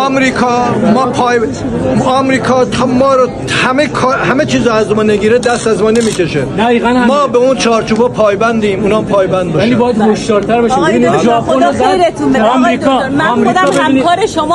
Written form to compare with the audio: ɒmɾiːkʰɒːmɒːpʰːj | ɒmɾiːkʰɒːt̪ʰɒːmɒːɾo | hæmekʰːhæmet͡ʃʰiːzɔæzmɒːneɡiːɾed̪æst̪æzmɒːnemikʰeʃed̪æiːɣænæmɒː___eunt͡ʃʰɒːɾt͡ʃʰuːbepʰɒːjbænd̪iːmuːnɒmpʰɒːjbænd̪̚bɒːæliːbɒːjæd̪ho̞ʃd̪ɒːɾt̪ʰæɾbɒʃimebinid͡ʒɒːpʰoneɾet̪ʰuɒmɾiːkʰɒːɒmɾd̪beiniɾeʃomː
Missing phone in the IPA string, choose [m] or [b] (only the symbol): b